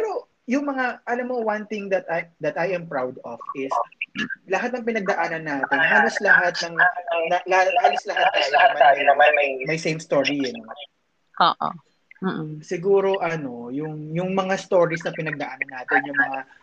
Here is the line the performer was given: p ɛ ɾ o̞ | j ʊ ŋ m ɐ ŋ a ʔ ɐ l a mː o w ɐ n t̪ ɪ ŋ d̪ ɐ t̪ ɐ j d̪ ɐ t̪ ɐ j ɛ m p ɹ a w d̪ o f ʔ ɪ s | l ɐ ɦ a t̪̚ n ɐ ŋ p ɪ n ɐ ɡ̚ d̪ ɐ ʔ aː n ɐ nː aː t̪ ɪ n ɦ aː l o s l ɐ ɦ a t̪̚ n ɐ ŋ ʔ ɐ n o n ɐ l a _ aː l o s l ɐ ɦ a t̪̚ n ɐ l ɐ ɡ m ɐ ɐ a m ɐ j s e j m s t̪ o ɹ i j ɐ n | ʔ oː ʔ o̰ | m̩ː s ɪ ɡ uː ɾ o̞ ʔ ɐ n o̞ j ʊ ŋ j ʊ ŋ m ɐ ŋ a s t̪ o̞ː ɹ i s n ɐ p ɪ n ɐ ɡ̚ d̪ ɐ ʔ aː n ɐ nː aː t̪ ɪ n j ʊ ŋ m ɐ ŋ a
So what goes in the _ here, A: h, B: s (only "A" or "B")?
A